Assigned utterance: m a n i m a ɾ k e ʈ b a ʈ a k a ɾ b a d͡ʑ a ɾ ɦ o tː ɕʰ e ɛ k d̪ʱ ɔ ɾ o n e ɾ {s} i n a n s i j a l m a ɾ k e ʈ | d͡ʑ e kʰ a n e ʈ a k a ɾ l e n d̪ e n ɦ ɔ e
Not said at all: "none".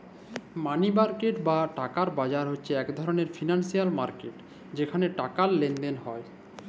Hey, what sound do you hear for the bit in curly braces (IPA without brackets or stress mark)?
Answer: f